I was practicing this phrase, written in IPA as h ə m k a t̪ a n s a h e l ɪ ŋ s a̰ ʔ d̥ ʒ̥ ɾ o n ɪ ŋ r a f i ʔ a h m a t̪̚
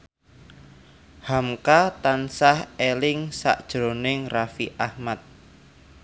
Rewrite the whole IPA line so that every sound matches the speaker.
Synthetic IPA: h a m k a t̪ a n s a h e l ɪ ŋ s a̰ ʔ d̥ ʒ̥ ɾ o n ɪ ŋ r a f i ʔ a h m a t̪̚

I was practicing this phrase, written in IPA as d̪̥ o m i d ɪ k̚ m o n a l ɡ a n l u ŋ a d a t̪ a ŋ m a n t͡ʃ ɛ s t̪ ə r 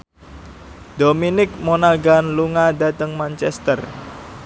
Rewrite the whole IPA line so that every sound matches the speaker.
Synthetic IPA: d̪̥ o m i n ɪ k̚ m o n a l ɡ a n l u ŋ a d a t̪ ə ŋ m a n t͡ʃ ɛ s t̪ ə r

